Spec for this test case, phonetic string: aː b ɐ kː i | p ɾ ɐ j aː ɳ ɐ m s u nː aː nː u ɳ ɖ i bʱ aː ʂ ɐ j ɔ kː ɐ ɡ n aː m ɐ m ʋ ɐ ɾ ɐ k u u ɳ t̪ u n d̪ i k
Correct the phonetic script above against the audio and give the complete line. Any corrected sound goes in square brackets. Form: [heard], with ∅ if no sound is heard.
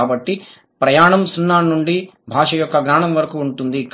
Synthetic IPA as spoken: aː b ɐ [ʈː] i | p ɾ ɐ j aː ɳ ɐ m s u nː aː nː u ɳ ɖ i bʱ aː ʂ ɐ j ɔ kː ɐ ɡ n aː [ɳ] ɐ m ʋ ɐ ɾ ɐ k u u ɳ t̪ u n d̪ i k